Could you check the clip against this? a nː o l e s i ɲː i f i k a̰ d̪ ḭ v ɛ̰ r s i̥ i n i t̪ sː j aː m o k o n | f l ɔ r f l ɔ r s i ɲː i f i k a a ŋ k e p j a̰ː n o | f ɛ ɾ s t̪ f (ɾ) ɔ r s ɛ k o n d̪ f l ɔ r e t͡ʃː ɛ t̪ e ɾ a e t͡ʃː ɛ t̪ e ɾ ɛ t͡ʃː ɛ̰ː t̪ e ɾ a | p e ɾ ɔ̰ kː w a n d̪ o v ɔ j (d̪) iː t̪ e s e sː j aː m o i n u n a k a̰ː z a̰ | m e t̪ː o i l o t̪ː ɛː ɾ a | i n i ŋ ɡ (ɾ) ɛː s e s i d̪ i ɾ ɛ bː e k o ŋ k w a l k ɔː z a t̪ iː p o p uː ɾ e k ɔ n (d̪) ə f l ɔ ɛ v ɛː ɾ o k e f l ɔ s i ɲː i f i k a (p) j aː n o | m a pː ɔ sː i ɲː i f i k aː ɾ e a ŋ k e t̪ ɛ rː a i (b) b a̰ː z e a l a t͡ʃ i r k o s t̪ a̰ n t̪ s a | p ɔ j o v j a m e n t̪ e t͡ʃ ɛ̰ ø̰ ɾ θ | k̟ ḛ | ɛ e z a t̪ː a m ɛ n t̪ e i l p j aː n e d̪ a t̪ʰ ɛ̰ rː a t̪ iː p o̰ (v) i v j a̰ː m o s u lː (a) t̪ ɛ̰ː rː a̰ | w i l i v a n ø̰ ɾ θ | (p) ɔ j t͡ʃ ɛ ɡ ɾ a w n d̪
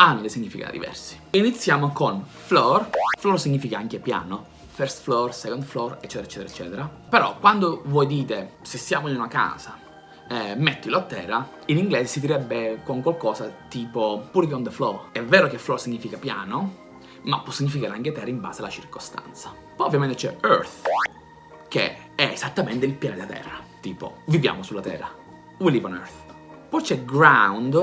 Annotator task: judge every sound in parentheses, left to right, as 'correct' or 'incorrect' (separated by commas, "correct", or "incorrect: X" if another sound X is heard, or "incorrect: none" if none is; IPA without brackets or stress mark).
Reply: incorrect: l, correct, incorrect: l, correct, correct, incorrect: m, correct, correct, correct